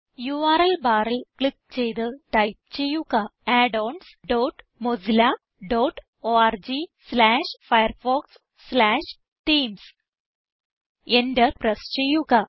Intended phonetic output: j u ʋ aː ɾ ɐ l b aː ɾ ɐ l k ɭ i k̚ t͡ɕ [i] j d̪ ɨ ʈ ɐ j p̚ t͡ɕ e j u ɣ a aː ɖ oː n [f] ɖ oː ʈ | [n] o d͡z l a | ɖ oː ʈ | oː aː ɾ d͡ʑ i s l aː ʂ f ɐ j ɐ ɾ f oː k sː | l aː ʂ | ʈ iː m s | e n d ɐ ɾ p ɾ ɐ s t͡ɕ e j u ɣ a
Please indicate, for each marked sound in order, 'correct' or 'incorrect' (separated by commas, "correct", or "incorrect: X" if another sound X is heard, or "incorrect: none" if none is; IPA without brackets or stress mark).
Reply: incorrect: e, incorrect: s, incorrect: m